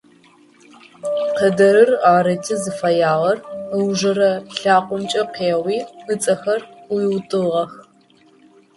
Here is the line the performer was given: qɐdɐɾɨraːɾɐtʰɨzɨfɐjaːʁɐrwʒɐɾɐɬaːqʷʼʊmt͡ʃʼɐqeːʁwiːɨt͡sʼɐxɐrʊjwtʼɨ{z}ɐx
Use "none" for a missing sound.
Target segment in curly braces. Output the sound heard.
ʁ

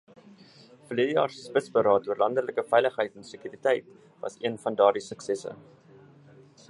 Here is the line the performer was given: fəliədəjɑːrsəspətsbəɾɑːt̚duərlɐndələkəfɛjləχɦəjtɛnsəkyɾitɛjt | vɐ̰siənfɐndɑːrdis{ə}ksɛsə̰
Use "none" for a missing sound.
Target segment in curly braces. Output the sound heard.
ə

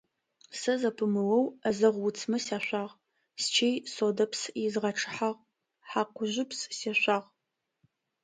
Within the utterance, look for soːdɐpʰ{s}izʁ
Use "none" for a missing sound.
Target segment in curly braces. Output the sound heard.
s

